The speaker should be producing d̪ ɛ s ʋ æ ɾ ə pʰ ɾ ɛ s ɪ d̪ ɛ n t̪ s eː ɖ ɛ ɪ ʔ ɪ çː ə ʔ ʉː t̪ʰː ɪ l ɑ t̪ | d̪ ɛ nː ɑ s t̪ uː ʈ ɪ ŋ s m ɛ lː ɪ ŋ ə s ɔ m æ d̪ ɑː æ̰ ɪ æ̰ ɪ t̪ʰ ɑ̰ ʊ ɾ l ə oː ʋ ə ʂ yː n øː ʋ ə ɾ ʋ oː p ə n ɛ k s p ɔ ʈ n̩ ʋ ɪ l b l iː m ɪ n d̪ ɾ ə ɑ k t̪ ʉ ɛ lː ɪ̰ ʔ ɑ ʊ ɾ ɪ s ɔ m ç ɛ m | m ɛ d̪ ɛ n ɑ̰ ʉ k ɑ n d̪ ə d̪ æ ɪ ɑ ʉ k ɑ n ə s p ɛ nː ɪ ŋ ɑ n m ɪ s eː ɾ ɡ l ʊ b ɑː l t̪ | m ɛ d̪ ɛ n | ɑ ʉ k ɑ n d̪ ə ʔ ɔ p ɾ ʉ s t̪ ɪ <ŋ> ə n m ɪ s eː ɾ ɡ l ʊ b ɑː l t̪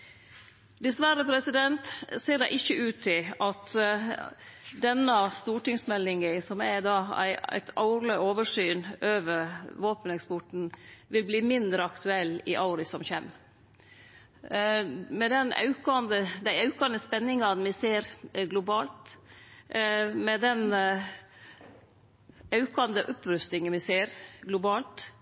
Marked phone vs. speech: correct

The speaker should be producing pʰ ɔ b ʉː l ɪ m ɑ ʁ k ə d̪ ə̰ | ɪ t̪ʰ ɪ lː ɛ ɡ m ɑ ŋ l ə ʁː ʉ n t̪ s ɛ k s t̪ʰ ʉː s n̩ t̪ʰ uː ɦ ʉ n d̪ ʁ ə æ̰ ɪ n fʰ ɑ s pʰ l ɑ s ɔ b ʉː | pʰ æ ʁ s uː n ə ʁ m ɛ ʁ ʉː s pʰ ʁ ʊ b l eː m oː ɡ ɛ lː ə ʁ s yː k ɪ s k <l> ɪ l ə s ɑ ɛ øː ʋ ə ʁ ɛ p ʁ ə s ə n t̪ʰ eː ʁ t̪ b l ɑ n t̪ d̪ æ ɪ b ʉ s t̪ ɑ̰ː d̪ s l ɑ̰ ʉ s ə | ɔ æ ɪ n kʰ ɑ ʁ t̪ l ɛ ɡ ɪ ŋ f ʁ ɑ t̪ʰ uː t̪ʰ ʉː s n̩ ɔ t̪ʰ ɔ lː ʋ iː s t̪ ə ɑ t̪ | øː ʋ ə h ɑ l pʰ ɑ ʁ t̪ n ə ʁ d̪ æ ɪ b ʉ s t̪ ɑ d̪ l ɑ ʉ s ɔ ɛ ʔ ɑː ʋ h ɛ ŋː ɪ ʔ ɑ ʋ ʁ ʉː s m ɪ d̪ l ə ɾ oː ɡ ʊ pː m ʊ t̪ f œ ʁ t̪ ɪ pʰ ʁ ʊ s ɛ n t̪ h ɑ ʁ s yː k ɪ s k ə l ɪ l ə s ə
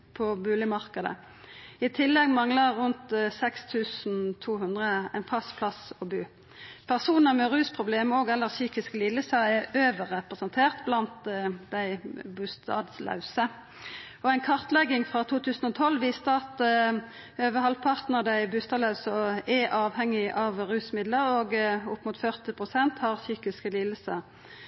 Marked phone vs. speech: correct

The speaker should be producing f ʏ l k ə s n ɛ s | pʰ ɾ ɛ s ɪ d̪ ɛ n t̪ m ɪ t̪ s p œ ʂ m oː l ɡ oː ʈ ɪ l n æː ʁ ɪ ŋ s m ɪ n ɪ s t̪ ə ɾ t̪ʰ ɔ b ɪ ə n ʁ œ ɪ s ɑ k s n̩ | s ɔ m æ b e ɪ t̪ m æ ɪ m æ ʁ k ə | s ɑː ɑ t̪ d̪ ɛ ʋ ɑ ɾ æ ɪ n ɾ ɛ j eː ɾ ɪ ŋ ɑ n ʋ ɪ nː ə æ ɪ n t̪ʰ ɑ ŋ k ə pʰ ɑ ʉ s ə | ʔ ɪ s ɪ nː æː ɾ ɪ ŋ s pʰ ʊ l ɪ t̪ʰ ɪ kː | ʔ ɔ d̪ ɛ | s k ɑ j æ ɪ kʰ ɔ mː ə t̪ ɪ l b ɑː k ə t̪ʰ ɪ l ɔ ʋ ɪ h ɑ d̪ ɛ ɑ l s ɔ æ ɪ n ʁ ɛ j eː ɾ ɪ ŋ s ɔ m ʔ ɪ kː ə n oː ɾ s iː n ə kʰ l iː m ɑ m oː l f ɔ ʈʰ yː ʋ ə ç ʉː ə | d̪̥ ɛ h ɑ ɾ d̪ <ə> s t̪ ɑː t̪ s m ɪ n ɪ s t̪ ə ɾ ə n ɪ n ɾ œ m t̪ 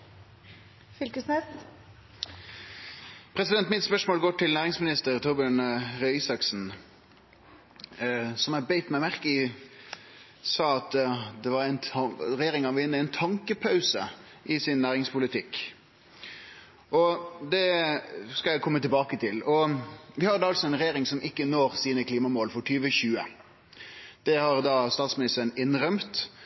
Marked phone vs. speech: incorrect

